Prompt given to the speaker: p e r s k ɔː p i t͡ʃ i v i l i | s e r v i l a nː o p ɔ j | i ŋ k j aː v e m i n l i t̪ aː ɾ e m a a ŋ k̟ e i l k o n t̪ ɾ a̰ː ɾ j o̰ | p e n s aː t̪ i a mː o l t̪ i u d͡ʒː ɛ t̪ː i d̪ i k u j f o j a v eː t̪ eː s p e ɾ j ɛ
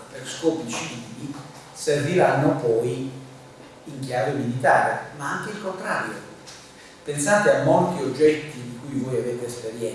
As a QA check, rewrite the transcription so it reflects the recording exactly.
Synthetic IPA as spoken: p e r s k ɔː p i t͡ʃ i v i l i | s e r v i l a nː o p ɔ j | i ŋ k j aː v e m i l i t̪ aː ɾ e m a a ŋ k̟ e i l k o n t̪ ɾ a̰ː ɾ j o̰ | p e n s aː t̪ e a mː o l t̪ i o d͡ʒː ɛ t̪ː i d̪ i k u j v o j a v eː t̪ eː s p e ɾ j ɛ

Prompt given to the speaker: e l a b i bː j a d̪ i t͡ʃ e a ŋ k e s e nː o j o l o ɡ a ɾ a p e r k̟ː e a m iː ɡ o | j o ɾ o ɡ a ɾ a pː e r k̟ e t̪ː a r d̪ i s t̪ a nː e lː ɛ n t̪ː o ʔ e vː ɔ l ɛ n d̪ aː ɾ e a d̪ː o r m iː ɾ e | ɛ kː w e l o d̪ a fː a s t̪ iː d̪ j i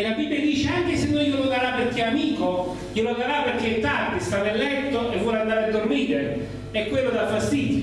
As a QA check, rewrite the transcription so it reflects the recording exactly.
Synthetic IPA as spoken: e l a b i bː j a d̪ iː t͡ʃ e a ŋ k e s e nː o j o l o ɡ a ɾ a p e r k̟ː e a m iː k o | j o l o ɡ a ɾ a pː e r k̟ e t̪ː a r d̪ i s t̪ a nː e lː ɛ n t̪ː o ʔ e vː ɔ l a n d̪ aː ɾ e a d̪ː o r m iː ɾ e | ɛ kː w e lː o d̪ a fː a s t̪ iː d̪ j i

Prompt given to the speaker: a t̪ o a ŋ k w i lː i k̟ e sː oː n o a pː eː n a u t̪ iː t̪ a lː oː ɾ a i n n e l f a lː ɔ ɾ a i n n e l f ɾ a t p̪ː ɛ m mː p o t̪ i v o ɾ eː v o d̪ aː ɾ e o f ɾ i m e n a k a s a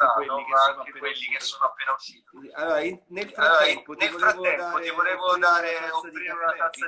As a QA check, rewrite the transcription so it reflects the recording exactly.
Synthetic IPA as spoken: a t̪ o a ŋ k w e lː i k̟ e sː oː n o a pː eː n a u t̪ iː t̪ a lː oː ɾ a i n n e l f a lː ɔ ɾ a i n n e l f ɾ a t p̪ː ɛ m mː p o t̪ i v o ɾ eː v o d̪ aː ɾ e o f ɾ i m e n a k a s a

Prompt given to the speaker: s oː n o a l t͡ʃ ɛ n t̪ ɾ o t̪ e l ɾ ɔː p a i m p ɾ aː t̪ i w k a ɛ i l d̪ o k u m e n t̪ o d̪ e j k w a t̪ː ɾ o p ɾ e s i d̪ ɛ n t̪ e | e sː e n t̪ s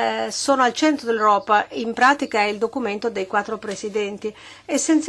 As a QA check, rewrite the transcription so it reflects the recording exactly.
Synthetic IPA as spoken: s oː n o a l t͡ʃ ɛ n t̪ ɾ o d̪ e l ɾ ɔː p a i m p ɾ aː t̪ i k a ɛ i l d̪ o k u m e n t̪ o d̪ e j k w a t̪ː ɾ o p ɾ e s i d̪ ɛ n t̪ i | e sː e n t̪ s

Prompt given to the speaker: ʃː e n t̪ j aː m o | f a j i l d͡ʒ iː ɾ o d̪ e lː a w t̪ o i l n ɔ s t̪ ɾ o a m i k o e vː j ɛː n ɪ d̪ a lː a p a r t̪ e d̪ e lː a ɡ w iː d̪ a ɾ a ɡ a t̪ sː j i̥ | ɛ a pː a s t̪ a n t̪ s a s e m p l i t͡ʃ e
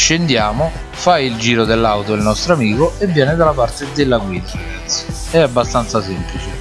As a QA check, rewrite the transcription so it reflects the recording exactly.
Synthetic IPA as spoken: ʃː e n d̪ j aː m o | f a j i l d͡ʒ iː ɾ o d̪ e lː a w t̪ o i l n ɔ s t̪ ɾ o a m iː k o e vː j ɛː n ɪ d̪ a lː a p a r t̪ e d̪ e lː a ɡ w iː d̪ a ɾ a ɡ a t̪ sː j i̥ | ɛ a bː a s t̪ a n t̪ s a s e m p l i t͡ʃ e

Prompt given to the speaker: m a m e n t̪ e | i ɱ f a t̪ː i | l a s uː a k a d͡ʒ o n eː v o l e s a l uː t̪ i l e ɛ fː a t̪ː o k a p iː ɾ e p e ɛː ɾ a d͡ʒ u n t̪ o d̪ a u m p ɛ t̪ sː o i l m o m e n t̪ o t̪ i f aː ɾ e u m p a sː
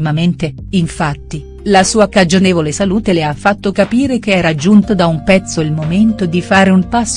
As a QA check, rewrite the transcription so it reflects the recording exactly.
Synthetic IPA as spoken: m a m e n t̪ e | i ɱ f a t̪ː i | l a s uː a k a d͡ʒ o n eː v o l e s a l uː t̪ e l e a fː a t̪ː o k a p iː ɾ e k e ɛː ɾ a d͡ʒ u n t̪ o d̪ a u m p ɛ t̪ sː o i l m o m e n t̪ o d̪ i f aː ɾ e u m p a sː

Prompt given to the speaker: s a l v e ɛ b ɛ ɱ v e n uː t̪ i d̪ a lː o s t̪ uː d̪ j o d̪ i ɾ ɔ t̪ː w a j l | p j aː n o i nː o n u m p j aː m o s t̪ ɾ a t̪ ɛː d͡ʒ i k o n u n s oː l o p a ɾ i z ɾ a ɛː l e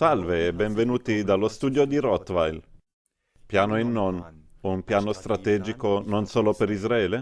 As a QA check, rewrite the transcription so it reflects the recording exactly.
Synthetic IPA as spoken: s a l v e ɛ b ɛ ɱ v e n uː t̪ i d̪ a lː o s t̪ uː d̪ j o d̪ i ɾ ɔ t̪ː v a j l | p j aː n o i nː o n u m p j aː n o s t̪ ɾ a t̪ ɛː d͡ʒ i k o n o n s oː l o p e ɾ i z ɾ a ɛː l e

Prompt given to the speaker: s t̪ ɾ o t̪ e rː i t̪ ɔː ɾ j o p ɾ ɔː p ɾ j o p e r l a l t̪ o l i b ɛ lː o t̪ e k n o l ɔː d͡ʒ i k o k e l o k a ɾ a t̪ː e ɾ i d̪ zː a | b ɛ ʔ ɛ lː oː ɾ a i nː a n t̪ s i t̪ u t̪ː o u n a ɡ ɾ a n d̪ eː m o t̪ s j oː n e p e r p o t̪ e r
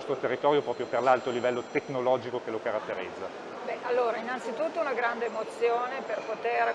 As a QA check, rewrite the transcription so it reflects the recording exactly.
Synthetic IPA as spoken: s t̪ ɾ o t̪ e rː i t̪ ɔː ɾ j o p ɾ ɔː p ɾ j o p e r l a l t̪ o l i v ɛ lː o t̪ e k n o l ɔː d͡ʒ i k o k e l o k a ɾ a t̪ː e ɾ i d̪ zː a | b ɛ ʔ a lː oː ɾ a i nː a n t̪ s i t̪ u t̪ː o u n a ɡ ɾ a n d̪ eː m o t̪ s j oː n e p e r p o t̪ e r

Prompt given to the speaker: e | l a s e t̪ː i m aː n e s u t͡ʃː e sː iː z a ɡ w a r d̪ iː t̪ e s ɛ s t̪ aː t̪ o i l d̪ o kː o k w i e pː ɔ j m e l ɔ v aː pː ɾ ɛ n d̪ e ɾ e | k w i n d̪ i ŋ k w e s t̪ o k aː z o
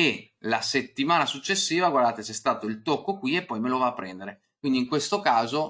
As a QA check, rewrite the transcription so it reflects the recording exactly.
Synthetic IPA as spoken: e | l a s e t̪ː i m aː n a s u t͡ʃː e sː iː v a ɡ w a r d̪ aː t̪ e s ɛ s t̪ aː t̪ o i l t̪ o kː o k w i e pː ɔ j m e l o v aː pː ɾ ɛ n d̪ e ɾ e | k w i n d̪ i ŋ k w e s t̪ o k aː z o

